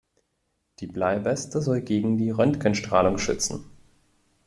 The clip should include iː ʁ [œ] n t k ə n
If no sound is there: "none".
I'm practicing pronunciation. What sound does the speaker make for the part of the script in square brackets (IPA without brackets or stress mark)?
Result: œ